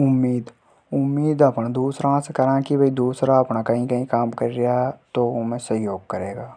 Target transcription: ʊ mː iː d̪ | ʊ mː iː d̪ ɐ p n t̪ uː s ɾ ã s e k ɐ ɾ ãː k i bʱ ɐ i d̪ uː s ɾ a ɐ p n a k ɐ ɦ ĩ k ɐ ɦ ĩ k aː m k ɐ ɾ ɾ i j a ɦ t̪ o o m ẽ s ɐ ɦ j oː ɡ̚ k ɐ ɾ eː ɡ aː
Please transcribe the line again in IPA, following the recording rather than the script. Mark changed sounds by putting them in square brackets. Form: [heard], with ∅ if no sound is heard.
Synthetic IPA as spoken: ʊ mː iː d̪ | ʊ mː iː d̪ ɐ p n [d̪] uː s ɾ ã s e k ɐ ɾ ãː k i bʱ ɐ i d̪ uː s ɾ a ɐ p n a k ɐ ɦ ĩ k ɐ ɦ ĩ k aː m k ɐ ɾ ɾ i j a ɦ t̪ o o m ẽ s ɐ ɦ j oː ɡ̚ k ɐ ɾ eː ɡ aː